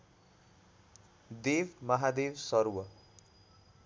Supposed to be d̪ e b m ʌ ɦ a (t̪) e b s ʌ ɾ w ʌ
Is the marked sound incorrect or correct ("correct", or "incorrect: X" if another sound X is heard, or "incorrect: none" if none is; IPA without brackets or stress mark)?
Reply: incorrect: d̪